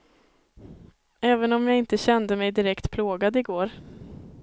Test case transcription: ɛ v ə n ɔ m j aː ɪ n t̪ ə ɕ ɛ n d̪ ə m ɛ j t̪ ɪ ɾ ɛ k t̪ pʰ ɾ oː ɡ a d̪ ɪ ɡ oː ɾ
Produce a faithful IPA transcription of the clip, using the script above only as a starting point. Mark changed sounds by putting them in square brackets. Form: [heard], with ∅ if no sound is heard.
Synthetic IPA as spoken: [ɛː] v ə n ɔ m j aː ɪ n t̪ ə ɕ ɛ n d̪ ə m ɛ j [d̪] ɪ ɾ ɛ k t̪ pʰ [l] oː ɡ a d̪ ɪ ɡ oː ɾ